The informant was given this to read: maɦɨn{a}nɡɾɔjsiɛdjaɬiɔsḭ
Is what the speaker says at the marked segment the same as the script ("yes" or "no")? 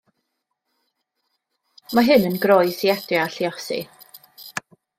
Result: no